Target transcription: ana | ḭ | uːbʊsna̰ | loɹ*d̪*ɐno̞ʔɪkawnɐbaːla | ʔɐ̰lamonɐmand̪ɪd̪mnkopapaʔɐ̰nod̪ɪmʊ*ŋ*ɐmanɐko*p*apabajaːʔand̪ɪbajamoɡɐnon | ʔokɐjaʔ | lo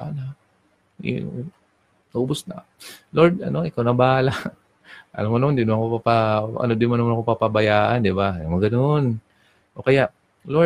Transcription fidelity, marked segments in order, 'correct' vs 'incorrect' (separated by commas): correct, incorrect, correct